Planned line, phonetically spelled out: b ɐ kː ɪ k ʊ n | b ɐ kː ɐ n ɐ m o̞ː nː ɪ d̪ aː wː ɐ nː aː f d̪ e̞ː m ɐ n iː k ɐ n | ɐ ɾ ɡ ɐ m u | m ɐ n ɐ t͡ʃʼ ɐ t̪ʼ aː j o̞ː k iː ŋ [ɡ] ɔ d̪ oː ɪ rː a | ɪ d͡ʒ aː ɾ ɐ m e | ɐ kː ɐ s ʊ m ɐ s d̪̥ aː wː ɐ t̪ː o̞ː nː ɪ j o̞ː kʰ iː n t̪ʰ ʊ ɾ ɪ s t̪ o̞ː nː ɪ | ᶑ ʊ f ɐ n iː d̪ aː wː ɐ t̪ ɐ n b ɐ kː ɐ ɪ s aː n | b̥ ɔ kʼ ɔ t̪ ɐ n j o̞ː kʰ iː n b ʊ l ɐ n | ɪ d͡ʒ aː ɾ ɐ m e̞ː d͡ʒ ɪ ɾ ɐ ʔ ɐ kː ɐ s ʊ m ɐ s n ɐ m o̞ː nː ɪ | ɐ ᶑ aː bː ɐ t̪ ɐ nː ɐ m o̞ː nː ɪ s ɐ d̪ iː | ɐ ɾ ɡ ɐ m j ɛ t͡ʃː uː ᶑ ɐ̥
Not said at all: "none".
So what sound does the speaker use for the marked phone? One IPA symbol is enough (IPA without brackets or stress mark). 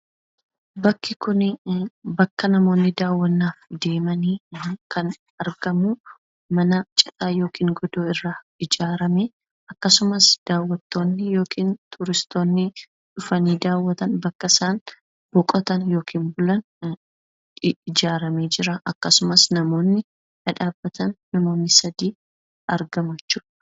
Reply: ɡ